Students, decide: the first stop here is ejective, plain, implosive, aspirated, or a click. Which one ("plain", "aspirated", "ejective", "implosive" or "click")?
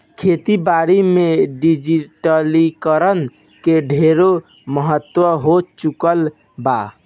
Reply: aspirated